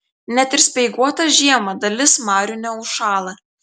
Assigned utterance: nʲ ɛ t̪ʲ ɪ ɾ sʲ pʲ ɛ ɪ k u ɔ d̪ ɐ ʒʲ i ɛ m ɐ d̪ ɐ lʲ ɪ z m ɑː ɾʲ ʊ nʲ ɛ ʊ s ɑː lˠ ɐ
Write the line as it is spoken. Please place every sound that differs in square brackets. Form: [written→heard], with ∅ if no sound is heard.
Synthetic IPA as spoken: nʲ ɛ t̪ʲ ɪ ɾ sʲ pʲ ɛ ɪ [k→ɡ] u ɔ [d̪→t̪] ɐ ʒʲ i ɛ m ɐ d̪ ɐ lʲ ɪ [z→s] m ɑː ɾʲ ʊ nʲ ɛ ʊ [s→ʃ] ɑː lˠ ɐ